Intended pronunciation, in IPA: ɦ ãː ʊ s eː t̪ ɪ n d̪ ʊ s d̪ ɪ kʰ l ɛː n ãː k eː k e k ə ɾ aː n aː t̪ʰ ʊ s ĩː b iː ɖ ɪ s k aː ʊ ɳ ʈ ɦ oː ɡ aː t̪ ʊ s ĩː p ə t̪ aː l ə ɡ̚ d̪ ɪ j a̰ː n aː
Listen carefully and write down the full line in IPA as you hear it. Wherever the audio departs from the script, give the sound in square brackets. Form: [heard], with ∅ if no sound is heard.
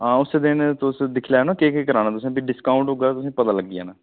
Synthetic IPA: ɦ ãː ʊ s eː [d̪] ɪ n [t̪] ʊ s d̪ ɪ kʰ l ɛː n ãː k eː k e k ə ɾ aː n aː [t̪] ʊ s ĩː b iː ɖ ɪ s k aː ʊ ɳ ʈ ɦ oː ɡ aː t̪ ʊ s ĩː p ə t̪ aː l ə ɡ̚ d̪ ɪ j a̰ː n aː